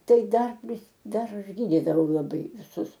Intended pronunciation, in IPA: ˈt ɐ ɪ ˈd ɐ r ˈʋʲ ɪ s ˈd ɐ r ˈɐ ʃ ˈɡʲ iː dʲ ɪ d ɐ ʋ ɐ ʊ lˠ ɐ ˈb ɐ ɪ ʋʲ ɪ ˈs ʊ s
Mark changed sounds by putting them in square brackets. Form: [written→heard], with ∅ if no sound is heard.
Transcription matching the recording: ˈt ɐ ɪ ˈd ɐ r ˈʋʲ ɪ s ˈd ɐ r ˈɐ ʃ ˈɡʲ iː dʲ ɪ d ɐ ʋ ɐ ʊ lˠ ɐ ˈb ɐ ɪ ʋʲ ɪ ˈs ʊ s